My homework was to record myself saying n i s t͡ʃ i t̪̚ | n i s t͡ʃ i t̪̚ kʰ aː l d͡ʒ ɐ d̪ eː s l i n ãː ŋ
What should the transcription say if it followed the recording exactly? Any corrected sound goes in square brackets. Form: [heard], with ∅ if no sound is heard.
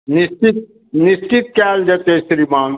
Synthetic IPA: n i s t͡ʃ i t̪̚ | n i s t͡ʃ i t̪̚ [k] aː l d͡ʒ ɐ [t̪] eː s [ɾ] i [m] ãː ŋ